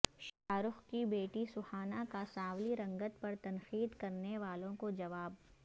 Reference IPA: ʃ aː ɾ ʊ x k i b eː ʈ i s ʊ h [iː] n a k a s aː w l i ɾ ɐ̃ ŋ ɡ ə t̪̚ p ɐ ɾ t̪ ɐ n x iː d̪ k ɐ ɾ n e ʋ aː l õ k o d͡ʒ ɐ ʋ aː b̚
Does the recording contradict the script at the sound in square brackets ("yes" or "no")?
yes